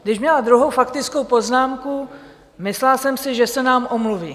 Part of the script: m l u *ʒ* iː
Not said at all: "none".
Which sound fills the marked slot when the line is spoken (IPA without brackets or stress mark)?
v